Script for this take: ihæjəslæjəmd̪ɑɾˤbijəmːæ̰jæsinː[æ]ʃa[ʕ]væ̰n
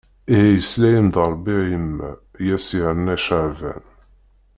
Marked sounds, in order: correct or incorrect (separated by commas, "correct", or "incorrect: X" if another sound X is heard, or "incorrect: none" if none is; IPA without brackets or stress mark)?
correct, correct